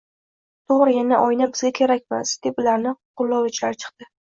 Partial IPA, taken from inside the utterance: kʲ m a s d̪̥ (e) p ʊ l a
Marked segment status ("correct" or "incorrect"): correct